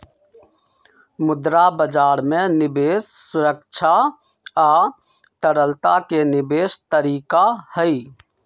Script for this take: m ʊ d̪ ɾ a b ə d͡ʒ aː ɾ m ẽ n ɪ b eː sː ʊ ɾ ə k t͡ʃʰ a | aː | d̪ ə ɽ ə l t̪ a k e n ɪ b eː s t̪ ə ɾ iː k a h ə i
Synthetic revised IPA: m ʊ d̪ ɾ a b ə d͡ʒ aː ɾ m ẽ n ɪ b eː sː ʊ ɾ ə k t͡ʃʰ a | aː | t̪ ə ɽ ə l t̪ a k e n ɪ b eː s t̪ ə ɾ iː k a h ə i